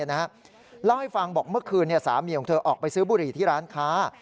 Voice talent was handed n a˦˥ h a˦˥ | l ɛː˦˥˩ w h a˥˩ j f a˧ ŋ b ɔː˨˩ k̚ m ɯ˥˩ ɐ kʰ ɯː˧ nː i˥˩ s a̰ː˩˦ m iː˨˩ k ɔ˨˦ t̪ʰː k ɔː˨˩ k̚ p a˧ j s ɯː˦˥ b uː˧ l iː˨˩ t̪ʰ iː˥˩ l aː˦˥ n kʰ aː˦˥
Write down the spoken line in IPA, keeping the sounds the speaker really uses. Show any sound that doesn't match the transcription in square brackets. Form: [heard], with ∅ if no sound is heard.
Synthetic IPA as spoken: n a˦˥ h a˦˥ | l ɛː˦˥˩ w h a˥˩ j f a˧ ŋ b ɔː˨˩ k̚ m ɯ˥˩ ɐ kʰ ɯː˧ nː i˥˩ s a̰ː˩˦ m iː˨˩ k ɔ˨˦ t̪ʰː [ʔ] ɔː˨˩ k̚ p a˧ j s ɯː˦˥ b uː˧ [ɾ] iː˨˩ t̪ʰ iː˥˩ [ɾ] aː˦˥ n kʰ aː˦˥